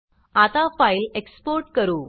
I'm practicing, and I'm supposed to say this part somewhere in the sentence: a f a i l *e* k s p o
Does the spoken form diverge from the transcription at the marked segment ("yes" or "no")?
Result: no